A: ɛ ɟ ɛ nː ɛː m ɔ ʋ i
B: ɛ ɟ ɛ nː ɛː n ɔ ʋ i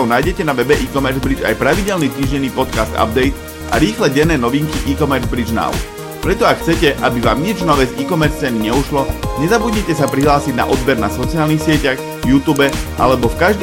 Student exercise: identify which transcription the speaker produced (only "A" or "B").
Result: B